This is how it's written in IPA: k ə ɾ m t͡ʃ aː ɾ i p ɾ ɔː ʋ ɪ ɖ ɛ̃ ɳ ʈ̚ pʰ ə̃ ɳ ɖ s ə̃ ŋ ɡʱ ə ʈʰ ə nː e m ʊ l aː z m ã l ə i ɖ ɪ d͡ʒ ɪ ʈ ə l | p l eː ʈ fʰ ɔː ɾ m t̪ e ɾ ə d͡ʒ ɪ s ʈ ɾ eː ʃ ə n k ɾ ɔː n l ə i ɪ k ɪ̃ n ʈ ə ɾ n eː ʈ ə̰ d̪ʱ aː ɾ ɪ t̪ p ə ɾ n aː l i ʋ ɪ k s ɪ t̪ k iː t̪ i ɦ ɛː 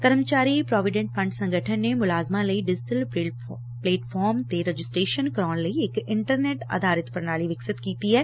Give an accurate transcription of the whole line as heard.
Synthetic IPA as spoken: k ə ɾ m t͡ʃ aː ɾ i p ɾ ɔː ʋ ɪ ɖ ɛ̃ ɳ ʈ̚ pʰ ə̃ ɳ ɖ s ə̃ ŋ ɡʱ ə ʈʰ ə nː e m ʊ l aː z m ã l ə i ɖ ɪ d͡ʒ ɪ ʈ ə l | p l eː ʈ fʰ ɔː ɾ m t̪ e ɾ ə d͡ʒ ɪ s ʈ ɾ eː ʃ ə n k ɾ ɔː n l ə i ɪ k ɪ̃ ɳ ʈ ə ɾ n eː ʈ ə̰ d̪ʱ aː ɾ ɪ t̪ p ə ɾ n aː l i ʋ ɪ k s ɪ t̪ k iː t̪ i ɦ ɛː